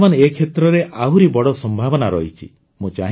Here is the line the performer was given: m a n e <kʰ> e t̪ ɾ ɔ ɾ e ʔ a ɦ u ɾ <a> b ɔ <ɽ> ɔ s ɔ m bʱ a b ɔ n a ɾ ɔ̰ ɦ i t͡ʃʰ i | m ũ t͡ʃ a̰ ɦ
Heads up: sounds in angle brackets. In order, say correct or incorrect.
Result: correct, incorrect, correct

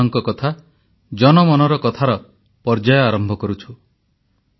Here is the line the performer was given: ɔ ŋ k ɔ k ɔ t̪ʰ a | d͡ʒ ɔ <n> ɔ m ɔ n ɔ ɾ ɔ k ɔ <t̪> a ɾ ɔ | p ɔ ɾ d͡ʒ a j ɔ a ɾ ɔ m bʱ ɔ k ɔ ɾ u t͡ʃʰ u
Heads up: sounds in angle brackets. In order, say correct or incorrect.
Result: correct, incorrect

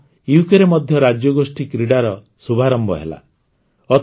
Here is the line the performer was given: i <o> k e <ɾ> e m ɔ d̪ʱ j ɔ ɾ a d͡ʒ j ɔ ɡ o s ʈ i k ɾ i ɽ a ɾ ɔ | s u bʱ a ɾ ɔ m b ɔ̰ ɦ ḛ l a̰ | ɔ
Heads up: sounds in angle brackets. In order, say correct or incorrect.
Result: incorrect, correct

